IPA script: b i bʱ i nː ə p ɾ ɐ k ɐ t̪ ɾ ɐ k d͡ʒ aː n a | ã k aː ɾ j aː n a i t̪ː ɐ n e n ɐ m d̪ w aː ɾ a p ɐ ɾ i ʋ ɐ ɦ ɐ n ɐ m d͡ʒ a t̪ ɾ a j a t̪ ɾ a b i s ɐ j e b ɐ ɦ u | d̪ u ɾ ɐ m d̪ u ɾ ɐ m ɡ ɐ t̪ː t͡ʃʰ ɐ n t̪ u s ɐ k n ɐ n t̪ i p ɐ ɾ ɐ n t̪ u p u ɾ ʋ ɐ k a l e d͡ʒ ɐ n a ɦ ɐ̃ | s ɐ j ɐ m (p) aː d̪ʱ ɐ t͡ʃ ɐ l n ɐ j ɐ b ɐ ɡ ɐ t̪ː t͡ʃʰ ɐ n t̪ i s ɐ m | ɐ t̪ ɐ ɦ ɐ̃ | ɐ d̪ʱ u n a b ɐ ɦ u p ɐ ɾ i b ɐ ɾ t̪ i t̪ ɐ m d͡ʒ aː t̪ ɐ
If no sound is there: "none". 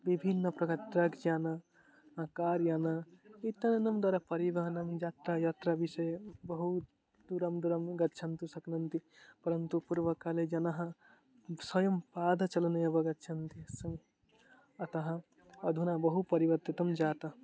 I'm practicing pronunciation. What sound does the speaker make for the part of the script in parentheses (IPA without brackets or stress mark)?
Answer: p